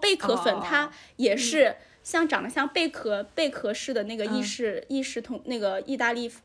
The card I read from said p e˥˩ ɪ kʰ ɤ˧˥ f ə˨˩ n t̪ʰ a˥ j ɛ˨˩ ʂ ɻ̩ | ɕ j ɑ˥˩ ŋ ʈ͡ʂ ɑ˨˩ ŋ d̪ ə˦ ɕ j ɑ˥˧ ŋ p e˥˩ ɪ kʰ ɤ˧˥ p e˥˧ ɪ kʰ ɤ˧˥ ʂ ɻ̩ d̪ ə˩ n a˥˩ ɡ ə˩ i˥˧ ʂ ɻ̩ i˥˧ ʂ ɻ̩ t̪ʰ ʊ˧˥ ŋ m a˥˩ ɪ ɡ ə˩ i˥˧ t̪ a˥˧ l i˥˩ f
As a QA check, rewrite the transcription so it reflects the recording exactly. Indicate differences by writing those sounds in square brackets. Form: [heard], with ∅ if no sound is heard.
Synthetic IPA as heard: p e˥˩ ɪ kʰ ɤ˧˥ f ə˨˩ n t̪ʰ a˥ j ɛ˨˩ ʂ ɻ̩ | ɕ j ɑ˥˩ ŋ ʈ͡ʂ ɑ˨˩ ŋ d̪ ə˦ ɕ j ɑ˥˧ ŋ p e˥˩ ɪ kʰ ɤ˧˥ p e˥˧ ɪ kʰ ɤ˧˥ ʂ ɻ̩ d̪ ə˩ n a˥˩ ɡ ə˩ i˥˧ ʂ ɻ̩ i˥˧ ʂ ɻ̩ t̪ʰ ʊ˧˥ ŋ [n] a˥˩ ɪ ɡ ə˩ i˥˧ t̪ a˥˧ l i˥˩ f